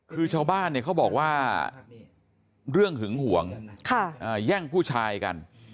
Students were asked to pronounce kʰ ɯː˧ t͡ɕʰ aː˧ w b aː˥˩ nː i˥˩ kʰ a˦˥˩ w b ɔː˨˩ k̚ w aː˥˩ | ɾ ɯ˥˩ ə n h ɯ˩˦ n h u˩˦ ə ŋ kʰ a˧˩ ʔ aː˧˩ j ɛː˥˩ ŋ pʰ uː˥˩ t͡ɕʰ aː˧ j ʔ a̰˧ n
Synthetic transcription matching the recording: kʰ ɯː˧ t͡ɕʰ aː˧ w b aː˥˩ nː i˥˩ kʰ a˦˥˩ w b ɔː˨˩ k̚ w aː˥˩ | ɾ ɯ˥˩ ə ŋ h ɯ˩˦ ŋ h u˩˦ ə ŋ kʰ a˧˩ ʔ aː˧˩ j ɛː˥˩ ŋ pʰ uː˥˩ t͡ɕʰ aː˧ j k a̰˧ n